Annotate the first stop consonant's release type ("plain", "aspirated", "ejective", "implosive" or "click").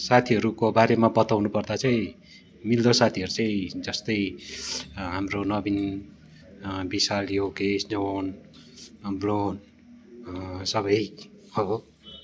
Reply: aspirated